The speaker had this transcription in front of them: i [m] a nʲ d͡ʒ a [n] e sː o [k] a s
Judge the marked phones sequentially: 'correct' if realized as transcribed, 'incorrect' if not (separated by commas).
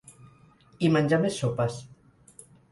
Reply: correct, incorrect, incorrect